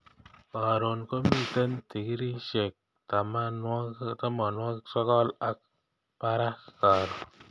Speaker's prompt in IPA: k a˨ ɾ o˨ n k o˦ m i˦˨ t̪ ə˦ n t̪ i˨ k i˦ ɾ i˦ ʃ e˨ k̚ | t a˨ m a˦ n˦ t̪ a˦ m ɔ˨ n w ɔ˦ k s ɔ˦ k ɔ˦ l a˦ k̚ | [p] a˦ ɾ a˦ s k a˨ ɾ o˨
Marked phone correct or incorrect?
correct